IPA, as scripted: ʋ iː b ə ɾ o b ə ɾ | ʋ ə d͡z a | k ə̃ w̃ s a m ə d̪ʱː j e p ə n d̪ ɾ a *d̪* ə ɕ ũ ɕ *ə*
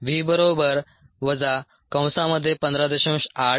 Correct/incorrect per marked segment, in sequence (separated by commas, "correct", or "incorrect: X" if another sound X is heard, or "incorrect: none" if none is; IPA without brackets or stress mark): correct, incorrect: a